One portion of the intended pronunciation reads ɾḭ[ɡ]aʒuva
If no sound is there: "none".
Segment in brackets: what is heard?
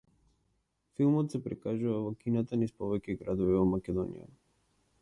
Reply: k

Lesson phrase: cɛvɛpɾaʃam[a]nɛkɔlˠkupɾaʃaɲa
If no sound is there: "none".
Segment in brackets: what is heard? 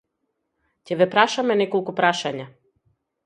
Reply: ɛ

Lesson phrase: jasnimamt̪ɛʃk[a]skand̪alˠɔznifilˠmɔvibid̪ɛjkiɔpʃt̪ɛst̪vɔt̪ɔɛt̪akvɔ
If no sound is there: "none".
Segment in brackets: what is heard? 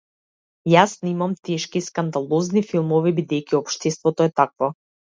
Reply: i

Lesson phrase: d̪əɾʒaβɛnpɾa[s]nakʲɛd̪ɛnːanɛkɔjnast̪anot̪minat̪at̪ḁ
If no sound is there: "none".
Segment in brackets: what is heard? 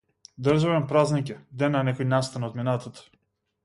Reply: z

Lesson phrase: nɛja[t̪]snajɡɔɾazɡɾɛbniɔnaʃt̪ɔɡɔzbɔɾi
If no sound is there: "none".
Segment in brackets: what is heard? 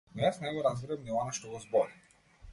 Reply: none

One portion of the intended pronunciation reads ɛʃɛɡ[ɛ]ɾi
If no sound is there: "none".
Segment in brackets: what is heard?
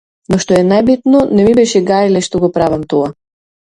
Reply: a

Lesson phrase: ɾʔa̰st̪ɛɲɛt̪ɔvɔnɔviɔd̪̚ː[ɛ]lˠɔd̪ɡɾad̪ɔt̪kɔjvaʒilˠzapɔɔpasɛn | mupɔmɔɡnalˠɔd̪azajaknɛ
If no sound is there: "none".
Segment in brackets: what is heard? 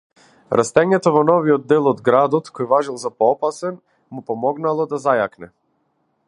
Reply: ɛ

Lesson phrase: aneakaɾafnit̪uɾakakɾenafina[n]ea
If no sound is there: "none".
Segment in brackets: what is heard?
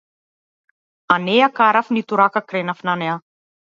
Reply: n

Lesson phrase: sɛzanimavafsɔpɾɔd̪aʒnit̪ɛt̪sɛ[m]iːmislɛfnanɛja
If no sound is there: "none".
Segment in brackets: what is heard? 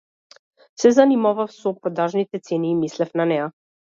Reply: n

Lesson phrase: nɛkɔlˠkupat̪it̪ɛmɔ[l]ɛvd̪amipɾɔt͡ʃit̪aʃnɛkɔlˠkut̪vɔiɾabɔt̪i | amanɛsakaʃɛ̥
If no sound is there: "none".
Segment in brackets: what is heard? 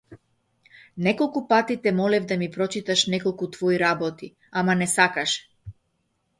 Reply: l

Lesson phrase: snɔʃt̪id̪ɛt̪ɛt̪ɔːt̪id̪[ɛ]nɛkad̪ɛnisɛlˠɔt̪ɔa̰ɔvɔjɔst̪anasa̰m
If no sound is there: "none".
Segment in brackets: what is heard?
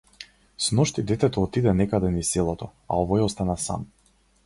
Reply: ɛ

